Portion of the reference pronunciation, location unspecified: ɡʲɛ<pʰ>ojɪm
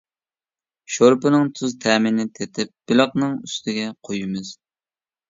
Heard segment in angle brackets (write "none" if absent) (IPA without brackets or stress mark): qʰ